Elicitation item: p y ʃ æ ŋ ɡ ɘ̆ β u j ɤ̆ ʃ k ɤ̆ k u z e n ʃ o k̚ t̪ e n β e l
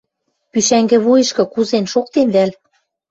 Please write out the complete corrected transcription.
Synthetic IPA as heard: p y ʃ æ ŋ ɡ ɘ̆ β u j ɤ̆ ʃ k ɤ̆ k u z e n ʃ o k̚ t̪ e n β æ l